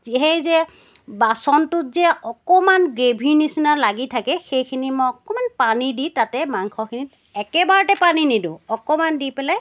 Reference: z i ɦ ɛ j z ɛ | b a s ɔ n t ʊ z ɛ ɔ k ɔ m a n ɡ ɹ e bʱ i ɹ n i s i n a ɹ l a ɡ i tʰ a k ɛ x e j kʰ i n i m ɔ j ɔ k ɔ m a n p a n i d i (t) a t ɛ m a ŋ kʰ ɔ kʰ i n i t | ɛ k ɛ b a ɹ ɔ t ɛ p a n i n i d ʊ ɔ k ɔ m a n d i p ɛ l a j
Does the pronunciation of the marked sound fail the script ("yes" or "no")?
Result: no